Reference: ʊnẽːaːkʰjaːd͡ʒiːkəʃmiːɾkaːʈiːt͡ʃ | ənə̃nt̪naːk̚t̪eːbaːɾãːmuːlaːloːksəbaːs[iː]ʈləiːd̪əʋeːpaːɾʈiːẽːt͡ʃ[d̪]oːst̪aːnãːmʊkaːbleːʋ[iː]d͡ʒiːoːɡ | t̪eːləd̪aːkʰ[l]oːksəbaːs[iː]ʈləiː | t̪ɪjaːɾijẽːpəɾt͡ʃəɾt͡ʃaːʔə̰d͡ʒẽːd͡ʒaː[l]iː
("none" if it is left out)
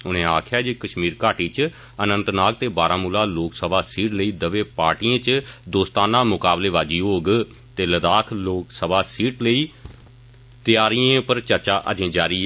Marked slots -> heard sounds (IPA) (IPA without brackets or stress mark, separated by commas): iː, d̪, aː, l, iː, ɾ